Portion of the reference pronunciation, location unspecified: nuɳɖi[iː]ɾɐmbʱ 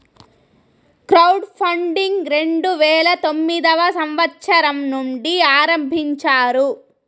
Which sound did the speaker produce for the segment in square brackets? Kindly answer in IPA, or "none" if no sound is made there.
aː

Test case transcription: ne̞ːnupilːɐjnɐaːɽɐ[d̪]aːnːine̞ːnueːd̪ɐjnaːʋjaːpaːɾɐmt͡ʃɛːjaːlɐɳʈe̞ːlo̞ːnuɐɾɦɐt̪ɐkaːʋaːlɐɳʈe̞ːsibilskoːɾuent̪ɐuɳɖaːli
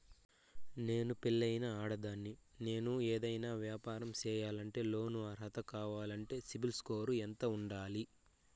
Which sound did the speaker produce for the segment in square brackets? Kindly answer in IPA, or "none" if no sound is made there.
d̪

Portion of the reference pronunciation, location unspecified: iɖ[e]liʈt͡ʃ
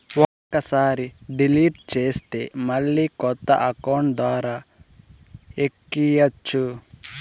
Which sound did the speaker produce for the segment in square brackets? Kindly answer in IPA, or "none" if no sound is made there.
i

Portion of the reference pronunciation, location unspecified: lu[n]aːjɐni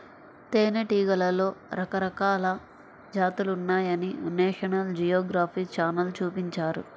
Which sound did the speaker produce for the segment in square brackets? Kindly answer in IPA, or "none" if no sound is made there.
nː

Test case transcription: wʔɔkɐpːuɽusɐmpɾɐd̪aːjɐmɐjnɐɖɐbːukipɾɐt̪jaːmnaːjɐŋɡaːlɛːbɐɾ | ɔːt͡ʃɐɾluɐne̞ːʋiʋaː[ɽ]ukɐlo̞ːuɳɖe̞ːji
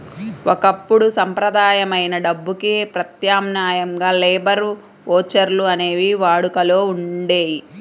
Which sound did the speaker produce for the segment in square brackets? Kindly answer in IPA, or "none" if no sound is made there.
ɽ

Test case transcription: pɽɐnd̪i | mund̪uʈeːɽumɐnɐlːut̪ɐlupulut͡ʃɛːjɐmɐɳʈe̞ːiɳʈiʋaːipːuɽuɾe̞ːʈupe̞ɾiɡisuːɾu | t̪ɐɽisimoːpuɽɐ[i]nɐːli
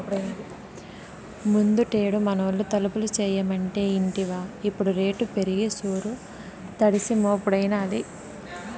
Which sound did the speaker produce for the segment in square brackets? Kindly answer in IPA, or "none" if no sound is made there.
j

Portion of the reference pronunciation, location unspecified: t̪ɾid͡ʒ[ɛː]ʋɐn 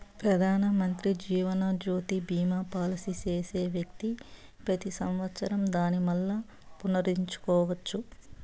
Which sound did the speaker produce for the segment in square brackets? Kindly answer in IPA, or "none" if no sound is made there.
iː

